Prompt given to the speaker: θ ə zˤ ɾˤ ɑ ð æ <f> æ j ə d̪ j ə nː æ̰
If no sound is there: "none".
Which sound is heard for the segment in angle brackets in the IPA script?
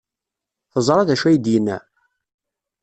ʃ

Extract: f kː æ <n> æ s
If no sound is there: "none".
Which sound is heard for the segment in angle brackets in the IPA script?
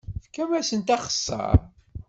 m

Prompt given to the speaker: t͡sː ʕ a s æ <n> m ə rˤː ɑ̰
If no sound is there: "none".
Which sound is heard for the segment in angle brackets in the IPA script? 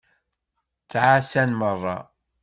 n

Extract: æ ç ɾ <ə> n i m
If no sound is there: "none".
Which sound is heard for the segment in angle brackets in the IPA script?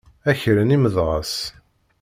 ə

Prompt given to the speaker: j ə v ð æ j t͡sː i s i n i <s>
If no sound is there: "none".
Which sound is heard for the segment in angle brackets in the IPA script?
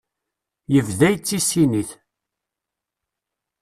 θ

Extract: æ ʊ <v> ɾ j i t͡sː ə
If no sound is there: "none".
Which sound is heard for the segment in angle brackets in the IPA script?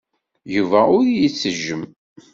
none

